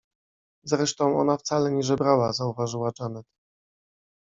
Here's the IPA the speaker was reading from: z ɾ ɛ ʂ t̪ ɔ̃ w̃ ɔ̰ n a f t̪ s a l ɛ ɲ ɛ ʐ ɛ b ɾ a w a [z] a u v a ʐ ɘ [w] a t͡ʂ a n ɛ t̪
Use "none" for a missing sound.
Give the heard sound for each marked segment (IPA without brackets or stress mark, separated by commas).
z, w